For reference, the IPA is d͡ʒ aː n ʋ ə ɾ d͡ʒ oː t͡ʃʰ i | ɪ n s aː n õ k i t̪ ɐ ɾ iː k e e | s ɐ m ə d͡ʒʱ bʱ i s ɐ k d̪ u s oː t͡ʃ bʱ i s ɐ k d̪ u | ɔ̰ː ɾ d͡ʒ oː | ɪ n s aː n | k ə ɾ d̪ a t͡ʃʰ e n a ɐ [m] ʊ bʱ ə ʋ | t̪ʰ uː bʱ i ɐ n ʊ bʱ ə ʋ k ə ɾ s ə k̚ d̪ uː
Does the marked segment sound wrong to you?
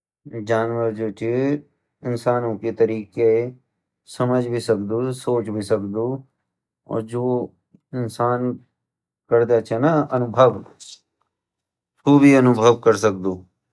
yes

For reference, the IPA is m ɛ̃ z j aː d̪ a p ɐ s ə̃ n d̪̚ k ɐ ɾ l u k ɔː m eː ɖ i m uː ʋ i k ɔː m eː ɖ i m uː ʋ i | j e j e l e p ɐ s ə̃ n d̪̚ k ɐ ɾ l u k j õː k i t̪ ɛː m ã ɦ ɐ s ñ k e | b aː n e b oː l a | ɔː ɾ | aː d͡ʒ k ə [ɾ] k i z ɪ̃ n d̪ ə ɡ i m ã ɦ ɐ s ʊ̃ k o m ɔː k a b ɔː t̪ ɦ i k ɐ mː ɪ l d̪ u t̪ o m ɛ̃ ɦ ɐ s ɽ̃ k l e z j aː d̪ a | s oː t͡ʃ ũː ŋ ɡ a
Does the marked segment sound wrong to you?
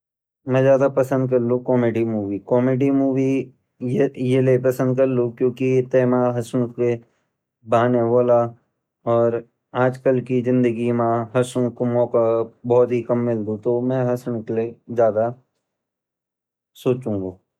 yes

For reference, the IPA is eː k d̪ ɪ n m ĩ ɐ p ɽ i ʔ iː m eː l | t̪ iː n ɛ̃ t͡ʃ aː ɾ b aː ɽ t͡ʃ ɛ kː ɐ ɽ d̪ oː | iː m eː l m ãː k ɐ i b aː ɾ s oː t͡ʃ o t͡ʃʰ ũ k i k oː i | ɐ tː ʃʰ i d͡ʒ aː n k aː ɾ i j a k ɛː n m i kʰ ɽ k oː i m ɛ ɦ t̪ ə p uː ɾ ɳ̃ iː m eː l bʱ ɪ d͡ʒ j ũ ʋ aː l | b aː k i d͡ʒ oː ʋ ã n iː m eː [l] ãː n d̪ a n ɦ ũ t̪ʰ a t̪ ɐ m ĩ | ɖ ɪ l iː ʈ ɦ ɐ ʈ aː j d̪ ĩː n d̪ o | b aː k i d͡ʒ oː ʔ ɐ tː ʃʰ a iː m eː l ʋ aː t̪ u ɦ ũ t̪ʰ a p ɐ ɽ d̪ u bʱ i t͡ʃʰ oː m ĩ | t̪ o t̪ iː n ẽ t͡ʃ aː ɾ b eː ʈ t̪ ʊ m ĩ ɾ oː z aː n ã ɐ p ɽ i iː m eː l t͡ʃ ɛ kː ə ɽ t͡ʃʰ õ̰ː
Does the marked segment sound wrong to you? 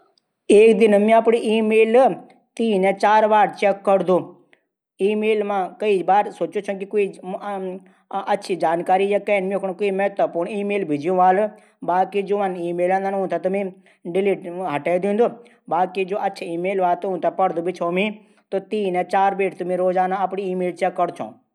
no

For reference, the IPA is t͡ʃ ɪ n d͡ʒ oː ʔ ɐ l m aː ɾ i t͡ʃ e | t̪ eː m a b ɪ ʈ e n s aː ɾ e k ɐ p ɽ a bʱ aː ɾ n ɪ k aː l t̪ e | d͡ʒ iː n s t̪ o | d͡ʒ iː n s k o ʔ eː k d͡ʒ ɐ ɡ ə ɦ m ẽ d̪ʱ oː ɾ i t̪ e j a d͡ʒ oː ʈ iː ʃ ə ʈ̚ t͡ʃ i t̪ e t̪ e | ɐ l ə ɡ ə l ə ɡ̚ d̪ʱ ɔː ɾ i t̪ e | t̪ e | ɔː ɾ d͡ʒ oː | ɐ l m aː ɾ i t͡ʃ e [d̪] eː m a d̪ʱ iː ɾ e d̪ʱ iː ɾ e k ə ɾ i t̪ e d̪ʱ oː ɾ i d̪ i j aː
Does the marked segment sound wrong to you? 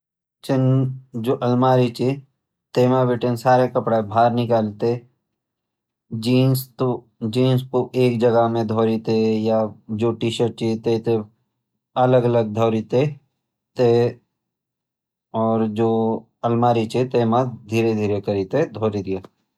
yes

